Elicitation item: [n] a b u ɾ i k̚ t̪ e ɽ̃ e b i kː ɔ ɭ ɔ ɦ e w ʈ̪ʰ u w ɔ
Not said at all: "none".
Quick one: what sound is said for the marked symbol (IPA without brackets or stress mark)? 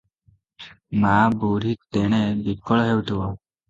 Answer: m